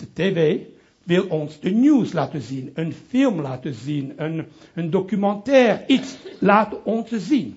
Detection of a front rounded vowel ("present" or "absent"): present